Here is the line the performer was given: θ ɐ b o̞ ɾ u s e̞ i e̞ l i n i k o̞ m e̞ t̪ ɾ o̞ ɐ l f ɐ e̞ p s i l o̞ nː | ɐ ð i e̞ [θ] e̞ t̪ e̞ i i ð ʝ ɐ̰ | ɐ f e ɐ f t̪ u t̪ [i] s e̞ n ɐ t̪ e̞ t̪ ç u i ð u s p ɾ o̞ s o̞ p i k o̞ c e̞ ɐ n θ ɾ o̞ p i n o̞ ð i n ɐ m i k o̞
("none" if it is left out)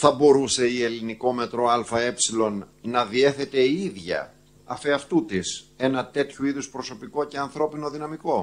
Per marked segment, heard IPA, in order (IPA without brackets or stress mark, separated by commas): θ, i